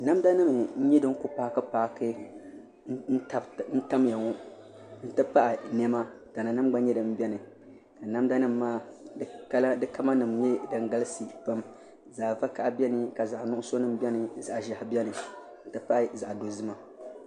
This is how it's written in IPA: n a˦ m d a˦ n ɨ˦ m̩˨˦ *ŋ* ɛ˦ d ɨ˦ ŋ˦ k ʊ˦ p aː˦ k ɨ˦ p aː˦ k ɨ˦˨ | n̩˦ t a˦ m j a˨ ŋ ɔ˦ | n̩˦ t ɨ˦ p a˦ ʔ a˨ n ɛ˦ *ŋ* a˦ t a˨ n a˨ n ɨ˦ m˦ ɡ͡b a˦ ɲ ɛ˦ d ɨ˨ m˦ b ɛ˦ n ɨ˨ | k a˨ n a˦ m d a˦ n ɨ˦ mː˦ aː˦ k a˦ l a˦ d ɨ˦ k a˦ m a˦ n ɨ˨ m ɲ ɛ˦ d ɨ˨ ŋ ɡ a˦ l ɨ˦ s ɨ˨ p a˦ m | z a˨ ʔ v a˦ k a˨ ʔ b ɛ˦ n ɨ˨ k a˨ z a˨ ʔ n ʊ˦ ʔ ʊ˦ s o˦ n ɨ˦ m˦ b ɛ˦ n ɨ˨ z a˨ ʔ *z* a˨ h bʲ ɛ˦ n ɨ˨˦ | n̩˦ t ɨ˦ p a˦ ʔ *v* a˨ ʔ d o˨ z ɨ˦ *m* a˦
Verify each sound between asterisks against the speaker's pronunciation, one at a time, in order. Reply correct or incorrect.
incorrect, incorrect, incorrect, incorrect, correct

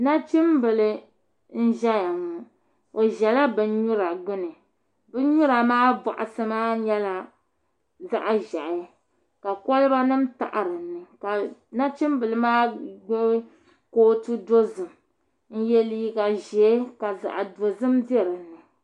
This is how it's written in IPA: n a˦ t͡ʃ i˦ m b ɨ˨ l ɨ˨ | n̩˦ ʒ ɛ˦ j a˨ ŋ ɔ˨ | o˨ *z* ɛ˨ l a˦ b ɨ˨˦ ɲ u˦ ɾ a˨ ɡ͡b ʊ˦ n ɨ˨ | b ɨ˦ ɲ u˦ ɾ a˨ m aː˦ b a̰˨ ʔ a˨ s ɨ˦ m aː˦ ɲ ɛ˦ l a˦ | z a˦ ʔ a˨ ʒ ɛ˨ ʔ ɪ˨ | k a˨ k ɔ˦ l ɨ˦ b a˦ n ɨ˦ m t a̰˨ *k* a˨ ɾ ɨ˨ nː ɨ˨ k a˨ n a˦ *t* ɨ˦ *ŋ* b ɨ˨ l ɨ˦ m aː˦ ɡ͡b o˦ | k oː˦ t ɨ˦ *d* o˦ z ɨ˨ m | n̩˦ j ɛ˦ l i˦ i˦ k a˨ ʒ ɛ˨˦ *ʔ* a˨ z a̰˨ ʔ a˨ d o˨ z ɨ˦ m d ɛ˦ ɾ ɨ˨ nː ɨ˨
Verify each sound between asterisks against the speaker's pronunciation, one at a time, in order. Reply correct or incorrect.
incorrect, incorrect, incorrect, incorrect, correct, incorrect

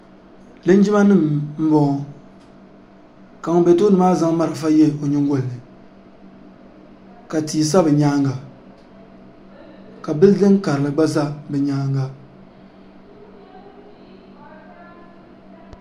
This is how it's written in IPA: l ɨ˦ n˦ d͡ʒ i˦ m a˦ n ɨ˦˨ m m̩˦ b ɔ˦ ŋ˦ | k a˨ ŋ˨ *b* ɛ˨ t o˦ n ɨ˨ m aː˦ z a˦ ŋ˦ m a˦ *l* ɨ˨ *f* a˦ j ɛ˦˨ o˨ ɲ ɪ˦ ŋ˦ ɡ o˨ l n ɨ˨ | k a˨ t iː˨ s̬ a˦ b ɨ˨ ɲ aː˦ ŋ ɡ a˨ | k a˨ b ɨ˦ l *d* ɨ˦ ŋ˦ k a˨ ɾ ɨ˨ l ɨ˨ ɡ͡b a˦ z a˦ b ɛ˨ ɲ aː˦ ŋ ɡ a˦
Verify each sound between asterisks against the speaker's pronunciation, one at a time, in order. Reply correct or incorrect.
correct, incorrect, correct, correct

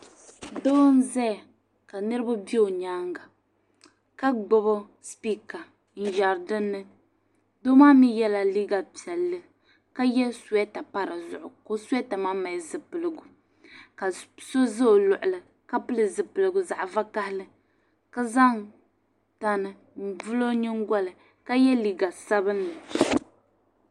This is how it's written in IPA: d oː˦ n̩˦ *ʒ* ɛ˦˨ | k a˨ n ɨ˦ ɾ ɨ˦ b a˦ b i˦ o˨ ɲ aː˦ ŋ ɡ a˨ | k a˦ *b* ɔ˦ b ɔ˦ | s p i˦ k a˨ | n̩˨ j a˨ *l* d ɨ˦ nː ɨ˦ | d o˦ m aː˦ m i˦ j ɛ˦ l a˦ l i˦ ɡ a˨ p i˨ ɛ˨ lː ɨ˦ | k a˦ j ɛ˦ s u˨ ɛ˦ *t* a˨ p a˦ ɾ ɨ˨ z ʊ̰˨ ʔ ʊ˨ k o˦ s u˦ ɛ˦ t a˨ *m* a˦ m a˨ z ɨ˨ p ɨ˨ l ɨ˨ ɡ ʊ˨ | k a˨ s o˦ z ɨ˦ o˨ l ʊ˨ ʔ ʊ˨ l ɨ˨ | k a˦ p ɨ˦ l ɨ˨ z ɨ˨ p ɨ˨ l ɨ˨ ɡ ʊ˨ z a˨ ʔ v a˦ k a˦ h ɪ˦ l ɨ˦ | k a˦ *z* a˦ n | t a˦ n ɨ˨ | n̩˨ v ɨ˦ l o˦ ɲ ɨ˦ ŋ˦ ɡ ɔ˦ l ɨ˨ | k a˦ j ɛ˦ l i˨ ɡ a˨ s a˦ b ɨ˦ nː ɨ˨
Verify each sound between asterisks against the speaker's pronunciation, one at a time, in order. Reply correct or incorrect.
incorrect, incorrect, incorrect, correct, correct, correct

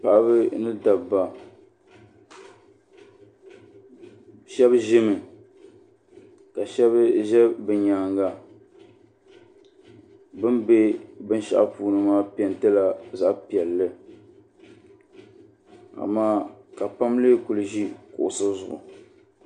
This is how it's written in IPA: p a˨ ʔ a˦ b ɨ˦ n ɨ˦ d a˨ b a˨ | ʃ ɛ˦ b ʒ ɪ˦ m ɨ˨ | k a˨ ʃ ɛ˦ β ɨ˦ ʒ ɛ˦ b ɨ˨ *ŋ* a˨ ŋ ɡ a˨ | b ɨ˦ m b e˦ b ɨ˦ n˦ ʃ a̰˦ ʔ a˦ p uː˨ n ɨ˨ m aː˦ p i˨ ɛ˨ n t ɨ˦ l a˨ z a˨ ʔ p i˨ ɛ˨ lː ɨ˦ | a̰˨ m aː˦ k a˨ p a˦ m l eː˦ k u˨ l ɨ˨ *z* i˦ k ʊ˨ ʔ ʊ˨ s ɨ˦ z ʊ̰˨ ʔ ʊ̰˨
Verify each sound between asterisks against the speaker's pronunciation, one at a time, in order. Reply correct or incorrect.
incorrect, incorrect

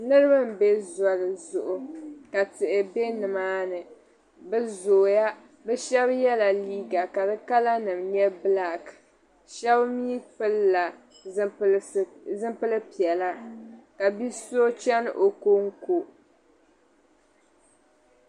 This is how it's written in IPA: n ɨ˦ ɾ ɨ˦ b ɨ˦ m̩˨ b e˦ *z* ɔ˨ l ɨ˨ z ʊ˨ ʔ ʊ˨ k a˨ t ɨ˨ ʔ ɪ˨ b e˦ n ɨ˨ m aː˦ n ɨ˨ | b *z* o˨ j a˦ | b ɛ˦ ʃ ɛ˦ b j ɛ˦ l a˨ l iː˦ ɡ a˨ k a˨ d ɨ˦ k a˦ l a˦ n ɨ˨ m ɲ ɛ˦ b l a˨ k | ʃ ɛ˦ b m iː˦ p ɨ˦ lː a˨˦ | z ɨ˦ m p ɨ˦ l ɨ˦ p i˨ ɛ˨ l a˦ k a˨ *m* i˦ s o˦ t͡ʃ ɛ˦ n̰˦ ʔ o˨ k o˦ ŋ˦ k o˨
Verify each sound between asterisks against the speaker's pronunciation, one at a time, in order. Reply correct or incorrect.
correct, correct, incorrect

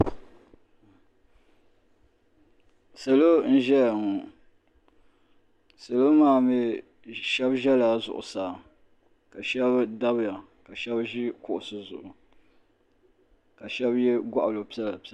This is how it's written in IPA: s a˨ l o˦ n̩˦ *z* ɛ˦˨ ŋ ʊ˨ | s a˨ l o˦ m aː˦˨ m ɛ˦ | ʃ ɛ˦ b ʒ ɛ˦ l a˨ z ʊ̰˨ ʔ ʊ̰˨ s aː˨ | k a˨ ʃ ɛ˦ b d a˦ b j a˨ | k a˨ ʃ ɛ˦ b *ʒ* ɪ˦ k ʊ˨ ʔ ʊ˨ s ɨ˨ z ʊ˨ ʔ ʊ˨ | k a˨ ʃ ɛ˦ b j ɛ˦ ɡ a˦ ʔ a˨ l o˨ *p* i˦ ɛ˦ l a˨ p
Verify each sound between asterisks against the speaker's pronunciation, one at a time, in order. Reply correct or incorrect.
incorrect, correct, correct

